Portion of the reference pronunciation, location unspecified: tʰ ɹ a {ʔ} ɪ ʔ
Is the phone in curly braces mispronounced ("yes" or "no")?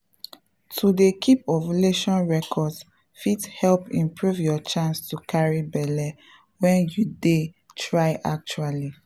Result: yes